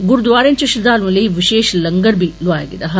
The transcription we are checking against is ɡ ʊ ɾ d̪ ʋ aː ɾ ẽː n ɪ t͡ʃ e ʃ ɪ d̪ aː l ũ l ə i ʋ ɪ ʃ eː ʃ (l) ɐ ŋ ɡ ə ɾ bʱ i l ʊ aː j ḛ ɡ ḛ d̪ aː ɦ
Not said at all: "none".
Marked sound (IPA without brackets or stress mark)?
l